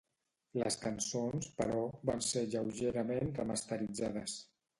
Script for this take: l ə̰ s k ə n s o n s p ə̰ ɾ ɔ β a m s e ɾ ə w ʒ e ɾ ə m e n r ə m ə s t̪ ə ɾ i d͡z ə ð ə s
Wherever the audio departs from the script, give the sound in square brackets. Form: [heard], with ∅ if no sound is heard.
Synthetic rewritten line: l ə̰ s k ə n s o n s p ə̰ ɾ ɔ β a [n] s e [ʎ] ə w ʒ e ɾ ə m e n r ə m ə s t̪ ə ɾ i d͡z [a] ð ə s